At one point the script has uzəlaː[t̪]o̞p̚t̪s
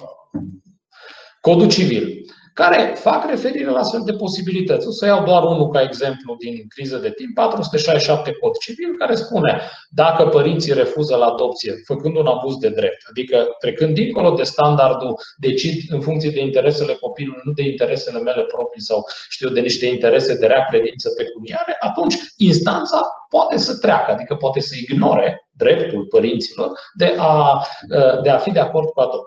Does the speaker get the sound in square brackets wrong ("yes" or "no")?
yes